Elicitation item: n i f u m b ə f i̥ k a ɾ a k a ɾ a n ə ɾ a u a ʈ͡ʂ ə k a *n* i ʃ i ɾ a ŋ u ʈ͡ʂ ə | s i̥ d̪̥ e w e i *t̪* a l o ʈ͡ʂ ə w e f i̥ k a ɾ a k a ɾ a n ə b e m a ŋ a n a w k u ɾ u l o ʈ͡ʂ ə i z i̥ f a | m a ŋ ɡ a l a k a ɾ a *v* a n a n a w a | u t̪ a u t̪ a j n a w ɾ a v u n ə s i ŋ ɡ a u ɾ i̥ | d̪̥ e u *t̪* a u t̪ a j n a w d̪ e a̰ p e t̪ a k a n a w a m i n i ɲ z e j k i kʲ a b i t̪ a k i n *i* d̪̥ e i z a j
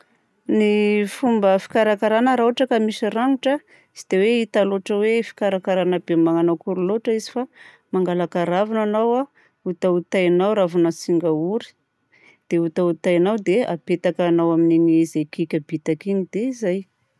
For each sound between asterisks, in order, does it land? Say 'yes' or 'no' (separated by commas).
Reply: no, yes, yes, yes, yes